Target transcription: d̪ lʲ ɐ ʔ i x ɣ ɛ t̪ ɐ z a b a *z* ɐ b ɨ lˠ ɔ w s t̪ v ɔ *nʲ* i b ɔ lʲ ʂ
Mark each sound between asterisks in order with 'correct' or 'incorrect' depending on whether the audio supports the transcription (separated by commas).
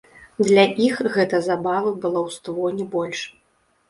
incorrect, correct